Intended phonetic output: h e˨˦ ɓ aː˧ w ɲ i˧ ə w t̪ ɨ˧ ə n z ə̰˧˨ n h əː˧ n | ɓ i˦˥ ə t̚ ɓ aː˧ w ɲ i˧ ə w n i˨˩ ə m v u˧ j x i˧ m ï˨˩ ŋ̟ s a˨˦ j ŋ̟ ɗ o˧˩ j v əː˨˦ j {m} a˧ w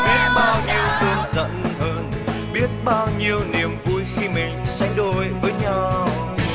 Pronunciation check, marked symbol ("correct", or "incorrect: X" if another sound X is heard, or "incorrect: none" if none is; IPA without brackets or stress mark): incorrect: ɲ